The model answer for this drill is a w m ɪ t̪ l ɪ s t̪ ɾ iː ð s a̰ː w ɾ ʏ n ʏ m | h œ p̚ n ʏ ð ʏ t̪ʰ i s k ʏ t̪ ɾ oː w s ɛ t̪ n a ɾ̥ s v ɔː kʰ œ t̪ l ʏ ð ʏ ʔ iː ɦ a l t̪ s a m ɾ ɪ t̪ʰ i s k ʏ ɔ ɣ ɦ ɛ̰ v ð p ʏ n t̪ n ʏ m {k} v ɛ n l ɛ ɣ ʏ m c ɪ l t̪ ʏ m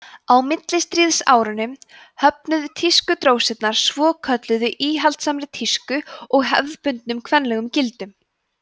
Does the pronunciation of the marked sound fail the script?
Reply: yes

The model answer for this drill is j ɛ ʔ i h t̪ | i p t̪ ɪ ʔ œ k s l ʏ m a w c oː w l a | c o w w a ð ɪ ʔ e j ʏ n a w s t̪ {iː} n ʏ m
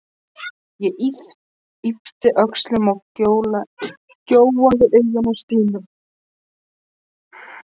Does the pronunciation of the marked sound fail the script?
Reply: no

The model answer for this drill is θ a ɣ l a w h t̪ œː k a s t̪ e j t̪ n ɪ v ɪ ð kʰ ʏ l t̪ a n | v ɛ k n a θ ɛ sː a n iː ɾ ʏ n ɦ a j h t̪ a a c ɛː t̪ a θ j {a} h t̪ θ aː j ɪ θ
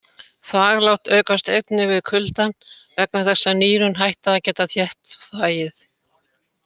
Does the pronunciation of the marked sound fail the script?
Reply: yes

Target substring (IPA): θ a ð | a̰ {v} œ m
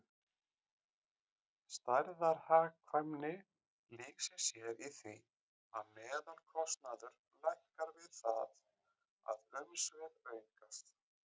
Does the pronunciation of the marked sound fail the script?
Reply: yes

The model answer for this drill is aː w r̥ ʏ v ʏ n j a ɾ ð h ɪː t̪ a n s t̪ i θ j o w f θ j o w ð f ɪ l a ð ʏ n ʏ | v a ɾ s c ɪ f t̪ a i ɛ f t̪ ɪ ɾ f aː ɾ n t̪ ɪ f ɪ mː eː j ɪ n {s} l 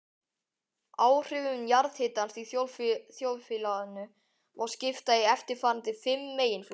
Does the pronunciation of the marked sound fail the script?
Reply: yes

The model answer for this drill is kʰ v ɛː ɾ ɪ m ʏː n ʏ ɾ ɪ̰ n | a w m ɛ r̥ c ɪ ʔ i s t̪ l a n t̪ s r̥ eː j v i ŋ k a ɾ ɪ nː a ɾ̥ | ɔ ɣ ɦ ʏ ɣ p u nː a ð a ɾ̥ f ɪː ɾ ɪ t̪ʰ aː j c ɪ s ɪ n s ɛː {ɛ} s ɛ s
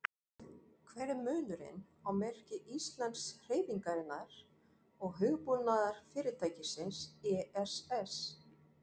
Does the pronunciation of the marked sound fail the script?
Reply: no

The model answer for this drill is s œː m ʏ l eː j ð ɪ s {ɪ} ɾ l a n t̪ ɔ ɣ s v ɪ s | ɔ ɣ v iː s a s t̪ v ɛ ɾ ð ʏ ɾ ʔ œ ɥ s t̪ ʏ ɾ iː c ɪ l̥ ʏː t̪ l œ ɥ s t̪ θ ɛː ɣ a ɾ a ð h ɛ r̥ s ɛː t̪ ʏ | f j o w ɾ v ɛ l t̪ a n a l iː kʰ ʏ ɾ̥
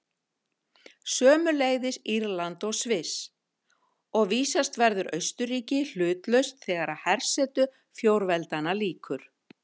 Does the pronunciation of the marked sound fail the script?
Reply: yes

